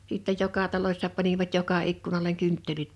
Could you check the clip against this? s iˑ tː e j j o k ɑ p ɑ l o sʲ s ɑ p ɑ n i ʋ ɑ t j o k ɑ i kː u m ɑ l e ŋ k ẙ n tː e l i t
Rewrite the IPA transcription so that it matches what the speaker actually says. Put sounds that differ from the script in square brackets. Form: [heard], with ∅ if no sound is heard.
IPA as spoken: s iˑ tː e j j o k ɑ [t] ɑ l o sʲ s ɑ p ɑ n i ʋ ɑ t j o k ɑ i kː u [n] ɑ l e ŋ k ẙ n tː e l i t